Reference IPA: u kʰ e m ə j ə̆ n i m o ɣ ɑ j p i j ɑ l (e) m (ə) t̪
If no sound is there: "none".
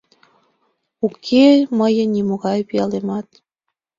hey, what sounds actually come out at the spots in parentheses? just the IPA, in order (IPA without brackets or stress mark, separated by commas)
e, ɑ